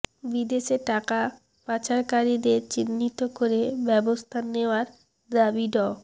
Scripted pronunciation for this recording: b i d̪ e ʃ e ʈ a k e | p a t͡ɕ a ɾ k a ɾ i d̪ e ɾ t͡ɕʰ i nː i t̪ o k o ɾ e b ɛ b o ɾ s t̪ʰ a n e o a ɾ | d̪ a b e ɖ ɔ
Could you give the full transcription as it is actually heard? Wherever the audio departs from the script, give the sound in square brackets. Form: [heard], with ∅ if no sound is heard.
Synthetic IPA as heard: b i d̪ e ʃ e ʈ a k [a] | p a t͡ɕ a ɾ k a ɾ i d̪ e ɾ [t͡ɕ] i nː i t̪ o k o ɾ e b ɛ b o [∅] s t̪ʰ a n e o a ɾ | d̪ a b [i] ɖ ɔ